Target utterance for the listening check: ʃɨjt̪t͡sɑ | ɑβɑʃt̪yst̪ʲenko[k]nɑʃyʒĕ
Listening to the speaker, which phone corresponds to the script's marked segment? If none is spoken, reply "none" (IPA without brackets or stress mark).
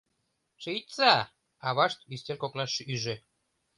k